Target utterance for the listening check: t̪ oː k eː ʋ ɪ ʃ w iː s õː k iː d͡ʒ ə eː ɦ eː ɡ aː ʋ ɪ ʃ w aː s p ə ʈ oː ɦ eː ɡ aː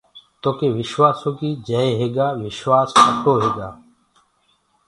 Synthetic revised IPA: t̪ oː k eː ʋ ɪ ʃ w aː s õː k iː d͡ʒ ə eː ɦ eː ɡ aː ʋ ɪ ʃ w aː s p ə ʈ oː ɦ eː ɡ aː